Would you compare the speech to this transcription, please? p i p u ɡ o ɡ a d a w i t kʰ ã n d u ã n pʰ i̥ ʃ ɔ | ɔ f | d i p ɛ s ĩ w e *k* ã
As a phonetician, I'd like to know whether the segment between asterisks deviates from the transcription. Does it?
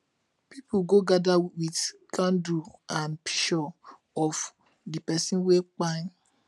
yes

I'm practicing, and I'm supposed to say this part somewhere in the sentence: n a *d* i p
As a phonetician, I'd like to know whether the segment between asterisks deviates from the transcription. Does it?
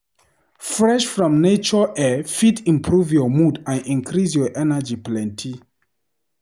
yes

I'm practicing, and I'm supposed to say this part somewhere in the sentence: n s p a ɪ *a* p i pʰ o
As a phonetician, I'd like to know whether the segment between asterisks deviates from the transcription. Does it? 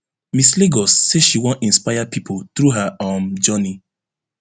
no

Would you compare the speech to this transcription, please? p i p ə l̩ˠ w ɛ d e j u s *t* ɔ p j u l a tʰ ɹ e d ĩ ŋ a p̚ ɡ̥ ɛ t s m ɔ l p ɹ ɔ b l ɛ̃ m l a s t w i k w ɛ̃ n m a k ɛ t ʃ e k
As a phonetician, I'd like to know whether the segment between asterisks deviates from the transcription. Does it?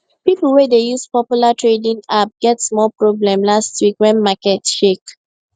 yes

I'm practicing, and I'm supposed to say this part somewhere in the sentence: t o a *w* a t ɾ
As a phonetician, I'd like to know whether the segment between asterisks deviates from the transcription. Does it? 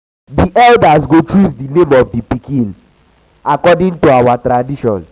no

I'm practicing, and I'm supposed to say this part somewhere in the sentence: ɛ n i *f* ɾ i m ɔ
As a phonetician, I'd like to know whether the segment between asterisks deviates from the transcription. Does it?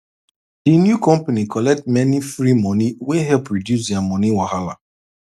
no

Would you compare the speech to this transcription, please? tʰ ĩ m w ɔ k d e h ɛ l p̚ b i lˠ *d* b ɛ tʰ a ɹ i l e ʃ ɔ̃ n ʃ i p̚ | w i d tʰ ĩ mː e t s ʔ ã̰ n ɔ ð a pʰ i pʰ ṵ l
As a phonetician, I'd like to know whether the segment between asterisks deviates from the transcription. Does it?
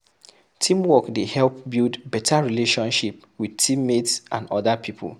no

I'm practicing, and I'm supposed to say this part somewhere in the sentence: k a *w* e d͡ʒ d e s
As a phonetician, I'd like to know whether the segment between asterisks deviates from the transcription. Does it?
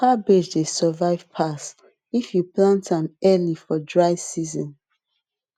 yes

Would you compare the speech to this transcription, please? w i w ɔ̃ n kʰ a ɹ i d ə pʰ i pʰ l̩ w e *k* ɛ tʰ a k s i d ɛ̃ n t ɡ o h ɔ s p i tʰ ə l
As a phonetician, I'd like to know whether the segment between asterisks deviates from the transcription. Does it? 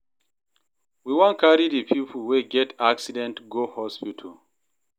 yes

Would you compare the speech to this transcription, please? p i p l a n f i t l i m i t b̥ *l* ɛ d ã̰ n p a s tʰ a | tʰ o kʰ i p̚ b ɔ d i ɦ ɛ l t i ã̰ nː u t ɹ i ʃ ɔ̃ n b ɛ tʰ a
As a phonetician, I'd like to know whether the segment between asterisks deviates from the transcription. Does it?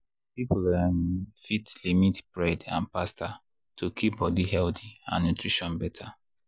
yes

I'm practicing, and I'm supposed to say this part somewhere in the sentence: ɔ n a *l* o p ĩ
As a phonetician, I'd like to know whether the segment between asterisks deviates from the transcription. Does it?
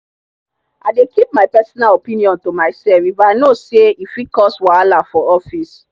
no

